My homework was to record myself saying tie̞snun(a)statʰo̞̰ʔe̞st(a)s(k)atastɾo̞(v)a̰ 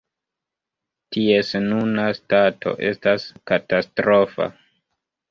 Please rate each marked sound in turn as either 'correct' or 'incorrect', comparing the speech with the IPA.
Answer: correct, correct, correct, incorrect: f

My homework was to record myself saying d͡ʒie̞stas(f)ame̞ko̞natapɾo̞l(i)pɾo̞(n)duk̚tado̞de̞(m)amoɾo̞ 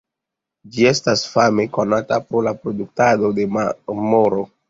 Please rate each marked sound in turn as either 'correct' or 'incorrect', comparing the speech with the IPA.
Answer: correct, incorrect: a, incorrect: none, correct

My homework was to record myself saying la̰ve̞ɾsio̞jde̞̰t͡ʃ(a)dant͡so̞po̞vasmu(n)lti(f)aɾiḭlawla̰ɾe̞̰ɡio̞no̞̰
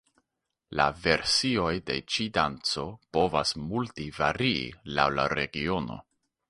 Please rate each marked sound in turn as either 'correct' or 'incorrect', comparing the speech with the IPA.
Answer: incorrect: i, incorrect: none, incorrect: v

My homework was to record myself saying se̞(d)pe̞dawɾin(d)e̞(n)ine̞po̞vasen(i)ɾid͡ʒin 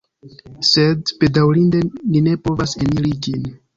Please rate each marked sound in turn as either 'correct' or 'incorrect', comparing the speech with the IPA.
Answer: correct, correct, correct, correct

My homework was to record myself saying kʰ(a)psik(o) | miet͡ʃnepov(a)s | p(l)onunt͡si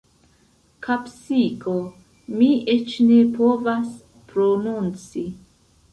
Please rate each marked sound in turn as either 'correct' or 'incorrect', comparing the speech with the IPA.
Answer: correct, correct, correct, incorrect: ɾ

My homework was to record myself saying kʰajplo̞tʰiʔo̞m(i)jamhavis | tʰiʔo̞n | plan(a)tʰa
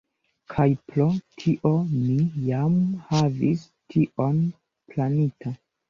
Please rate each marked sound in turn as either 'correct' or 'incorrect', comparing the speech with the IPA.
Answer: correct, incorrect: i

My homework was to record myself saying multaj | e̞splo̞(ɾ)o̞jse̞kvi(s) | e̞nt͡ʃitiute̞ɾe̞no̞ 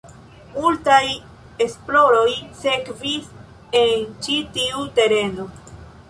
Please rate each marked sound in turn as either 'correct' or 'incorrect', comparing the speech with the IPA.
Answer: correct, correct

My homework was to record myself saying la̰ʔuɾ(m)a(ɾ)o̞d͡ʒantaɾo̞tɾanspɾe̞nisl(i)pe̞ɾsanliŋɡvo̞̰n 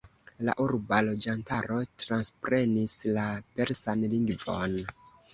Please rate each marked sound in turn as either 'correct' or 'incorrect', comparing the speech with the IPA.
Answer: incorrect: b, incorrect: l, incorrect: a

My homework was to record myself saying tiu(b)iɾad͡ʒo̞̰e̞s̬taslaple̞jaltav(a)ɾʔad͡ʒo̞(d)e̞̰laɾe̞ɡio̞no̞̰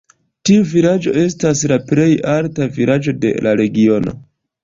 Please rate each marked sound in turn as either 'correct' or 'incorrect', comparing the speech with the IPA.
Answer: incorrect: v, incorrect: i, correct

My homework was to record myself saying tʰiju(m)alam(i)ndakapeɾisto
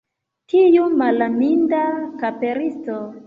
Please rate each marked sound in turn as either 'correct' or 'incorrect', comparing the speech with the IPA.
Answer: correct, correct

